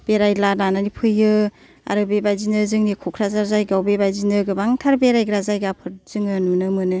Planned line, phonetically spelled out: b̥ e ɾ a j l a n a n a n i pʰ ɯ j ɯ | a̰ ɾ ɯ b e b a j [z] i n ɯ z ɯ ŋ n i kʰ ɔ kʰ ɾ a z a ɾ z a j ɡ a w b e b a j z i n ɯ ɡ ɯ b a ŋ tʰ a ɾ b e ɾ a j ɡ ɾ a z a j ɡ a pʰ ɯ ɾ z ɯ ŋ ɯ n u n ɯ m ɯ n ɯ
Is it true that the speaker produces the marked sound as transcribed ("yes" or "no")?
yes